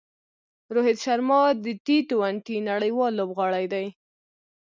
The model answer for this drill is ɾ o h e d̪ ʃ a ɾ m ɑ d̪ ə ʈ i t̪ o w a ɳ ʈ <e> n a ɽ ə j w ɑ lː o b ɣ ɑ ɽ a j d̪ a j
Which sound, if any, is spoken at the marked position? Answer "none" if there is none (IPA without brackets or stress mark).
i